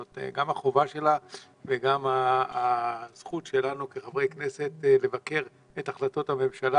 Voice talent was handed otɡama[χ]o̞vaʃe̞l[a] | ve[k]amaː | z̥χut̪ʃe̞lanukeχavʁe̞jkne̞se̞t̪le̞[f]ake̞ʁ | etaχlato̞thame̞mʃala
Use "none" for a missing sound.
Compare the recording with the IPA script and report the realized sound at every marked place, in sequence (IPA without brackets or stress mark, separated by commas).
χ, a, ɡ, v